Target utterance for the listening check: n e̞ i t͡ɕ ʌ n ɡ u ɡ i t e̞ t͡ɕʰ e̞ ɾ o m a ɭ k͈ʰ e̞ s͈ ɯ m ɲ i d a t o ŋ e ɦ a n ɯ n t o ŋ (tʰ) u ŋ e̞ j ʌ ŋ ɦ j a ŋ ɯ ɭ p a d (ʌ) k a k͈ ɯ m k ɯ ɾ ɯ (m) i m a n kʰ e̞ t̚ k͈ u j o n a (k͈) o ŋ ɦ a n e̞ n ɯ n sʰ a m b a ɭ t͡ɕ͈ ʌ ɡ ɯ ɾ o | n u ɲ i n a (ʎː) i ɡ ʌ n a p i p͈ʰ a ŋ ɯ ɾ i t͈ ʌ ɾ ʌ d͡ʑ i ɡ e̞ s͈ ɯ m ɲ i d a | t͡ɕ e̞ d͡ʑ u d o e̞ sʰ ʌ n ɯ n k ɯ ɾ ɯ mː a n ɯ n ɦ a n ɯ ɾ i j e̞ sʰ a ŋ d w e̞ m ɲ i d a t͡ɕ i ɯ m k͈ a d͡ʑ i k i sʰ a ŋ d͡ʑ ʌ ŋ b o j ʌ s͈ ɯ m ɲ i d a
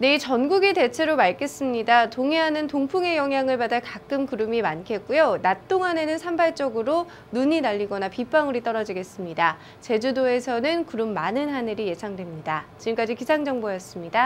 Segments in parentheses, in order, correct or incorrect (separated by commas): incorrect, incorrect, correct, incorrect, correct